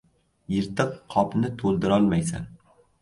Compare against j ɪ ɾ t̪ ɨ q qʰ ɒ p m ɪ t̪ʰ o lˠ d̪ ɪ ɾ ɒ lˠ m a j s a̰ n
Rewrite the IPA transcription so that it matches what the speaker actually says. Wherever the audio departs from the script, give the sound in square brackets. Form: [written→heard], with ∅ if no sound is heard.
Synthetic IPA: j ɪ ɾ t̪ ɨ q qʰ ɒ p [m→n] ɪ t̪ʰ o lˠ d̪ ɪ ɾ ɒ lˠ m a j s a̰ n